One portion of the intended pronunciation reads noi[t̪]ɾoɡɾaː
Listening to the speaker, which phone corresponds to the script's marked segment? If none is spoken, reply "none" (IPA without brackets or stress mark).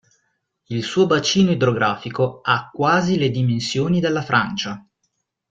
d̪